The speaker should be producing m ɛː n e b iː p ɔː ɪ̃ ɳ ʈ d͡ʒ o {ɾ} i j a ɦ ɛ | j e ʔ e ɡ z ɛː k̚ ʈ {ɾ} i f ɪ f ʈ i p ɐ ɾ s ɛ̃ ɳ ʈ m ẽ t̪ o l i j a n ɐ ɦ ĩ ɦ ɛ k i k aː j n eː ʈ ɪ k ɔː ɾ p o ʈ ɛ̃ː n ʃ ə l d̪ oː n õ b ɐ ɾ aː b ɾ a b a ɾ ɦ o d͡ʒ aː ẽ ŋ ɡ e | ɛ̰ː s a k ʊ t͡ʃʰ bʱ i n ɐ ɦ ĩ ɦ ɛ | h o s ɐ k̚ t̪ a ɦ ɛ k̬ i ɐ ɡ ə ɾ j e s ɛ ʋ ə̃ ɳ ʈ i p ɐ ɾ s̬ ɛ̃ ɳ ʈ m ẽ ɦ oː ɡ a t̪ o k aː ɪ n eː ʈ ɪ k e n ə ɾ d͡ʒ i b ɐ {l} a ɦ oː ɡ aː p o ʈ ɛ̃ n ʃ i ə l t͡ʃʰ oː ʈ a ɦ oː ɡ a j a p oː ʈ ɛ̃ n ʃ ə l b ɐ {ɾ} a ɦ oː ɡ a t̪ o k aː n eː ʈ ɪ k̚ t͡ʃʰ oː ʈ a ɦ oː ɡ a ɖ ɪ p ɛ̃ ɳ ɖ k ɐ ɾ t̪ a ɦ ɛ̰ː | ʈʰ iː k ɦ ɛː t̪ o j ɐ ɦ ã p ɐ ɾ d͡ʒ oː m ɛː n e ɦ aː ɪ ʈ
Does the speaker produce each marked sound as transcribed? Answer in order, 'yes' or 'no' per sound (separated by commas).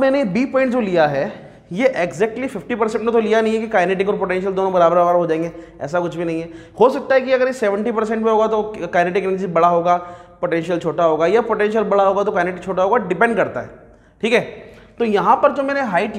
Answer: no, no, no, no